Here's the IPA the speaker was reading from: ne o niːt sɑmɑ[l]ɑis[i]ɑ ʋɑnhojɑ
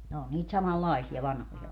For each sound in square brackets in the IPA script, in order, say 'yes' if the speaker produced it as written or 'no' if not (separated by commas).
no, yes